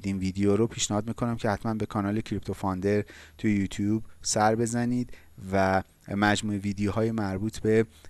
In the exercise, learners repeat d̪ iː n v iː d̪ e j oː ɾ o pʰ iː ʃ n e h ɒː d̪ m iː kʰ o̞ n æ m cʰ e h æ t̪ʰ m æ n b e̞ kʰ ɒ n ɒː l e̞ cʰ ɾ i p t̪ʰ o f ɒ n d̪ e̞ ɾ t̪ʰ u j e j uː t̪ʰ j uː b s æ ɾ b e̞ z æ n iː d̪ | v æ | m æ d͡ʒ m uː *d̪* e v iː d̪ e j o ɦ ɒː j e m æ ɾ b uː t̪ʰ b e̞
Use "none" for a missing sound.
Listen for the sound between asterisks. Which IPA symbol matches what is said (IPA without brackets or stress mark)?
none